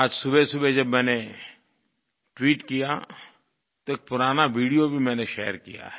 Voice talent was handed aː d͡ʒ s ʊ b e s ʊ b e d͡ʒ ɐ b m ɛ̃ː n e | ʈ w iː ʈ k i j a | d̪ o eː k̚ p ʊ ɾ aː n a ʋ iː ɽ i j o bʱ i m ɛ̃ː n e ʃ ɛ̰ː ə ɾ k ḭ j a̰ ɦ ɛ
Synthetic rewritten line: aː d͡ʒ s ʊ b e s ʊ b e d͡ʒ ɐ b m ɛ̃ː n e | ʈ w iː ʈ k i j a | t̪ o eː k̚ p ʊ ɾ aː n a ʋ iː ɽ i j o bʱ i m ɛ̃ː n e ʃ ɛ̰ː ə ɾ k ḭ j a̰ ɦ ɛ